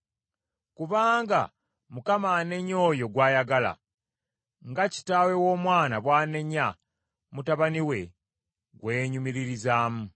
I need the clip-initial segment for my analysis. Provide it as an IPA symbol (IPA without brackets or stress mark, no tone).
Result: k